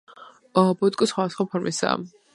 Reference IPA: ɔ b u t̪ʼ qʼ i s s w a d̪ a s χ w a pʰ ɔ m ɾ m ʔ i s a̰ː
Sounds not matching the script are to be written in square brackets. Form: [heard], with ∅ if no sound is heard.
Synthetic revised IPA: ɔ b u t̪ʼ [kʼ] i s [χ] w a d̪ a s χ w a pʰ ɔ [∅] ɾ m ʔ i s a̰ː